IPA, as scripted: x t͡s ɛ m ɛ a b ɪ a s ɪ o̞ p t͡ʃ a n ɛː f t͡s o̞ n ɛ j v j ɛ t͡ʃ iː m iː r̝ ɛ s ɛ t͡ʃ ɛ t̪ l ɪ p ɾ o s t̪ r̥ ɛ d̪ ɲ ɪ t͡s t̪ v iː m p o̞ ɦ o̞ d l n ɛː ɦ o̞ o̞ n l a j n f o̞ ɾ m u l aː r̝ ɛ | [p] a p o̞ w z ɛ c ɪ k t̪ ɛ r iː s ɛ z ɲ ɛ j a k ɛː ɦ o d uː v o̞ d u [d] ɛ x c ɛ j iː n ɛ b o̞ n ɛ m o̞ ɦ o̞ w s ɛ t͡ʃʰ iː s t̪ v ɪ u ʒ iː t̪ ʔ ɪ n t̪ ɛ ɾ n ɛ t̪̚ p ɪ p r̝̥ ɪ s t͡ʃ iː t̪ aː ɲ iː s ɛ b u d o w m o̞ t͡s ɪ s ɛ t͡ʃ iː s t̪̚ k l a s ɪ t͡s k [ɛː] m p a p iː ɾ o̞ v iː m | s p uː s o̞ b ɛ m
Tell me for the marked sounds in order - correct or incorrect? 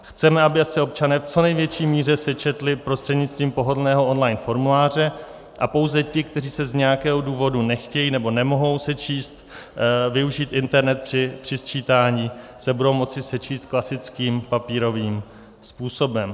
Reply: incorrect, incorrect, incorrect

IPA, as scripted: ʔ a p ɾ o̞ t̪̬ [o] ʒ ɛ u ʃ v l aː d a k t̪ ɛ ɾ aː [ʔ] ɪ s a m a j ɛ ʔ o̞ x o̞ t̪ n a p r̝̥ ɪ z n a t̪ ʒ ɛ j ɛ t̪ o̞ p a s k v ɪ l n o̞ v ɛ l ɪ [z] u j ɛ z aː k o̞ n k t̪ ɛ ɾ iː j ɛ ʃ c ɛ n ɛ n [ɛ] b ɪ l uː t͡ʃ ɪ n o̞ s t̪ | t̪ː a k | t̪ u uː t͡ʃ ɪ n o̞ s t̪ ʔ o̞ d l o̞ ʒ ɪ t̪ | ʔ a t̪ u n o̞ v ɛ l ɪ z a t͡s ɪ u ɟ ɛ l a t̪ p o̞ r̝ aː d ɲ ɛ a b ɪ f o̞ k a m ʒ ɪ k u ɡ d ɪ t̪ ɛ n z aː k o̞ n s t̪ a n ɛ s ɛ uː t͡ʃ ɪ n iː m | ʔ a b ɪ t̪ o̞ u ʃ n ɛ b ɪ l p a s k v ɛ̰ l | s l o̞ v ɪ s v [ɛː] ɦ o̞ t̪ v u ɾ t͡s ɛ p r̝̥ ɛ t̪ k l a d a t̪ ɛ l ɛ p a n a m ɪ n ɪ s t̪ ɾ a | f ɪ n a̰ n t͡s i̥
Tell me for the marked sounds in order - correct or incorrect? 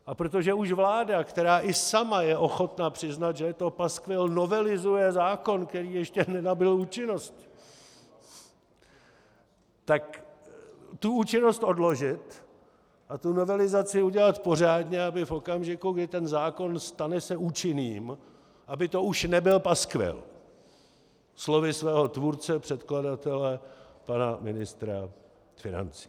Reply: correct, correct, correct, incorrect, correct

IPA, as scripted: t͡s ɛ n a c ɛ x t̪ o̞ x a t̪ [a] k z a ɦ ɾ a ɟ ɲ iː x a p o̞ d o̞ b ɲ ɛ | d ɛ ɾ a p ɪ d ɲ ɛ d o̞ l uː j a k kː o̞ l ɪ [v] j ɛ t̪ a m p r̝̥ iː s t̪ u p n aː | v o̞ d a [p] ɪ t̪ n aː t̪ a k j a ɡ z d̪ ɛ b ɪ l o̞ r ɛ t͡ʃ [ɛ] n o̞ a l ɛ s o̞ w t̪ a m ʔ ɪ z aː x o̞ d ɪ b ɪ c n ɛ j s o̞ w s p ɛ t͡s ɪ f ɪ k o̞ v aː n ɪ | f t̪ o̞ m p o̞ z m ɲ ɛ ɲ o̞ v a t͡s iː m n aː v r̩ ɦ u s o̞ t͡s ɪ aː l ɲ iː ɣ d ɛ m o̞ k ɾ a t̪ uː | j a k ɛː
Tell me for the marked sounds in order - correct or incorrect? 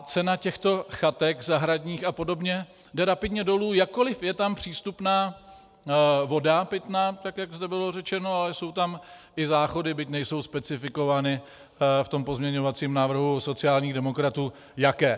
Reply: incorrect, incorrect, correct, correct

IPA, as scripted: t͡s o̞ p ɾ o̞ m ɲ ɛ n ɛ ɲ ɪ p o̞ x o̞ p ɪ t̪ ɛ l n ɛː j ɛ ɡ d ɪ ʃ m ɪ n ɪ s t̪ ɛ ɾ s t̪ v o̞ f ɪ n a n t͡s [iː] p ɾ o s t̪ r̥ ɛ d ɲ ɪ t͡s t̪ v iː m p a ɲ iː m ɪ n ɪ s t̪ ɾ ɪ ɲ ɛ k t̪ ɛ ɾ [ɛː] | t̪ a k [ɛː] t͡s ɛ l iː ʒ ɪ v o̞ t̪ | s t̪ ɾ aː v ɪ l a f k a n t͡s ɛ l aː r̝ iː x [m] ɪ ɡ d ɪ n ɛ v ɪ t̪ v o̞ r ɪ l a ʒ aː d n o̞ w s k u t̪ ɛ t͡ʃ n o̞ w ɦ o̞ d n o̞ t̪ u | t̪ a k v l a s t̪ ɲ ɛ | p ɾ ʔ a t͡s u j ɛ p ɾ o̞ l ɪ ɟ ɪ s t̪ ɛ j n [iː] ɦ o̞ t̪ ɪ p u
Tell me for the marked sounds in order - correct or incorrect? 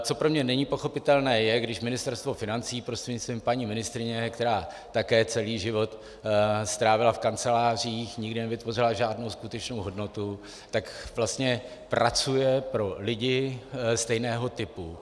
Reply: correct, incorrect, correct, incorrect, incorrect

